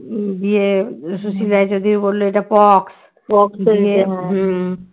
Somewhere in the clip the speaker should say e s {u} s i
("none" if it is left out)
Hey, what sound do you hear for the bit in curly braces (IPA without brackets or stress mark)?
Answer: u